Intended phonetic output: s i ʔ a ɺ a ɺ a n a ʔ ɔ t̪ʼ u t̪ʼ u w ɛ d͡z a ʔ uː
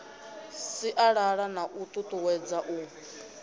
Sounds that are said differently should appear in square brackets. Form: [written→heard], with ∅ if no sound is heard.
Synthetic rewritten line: s i ʔ a ɺ a ɺ a n a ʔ [ɔ→u] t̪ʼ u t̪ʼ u w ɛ d͡z a ʔ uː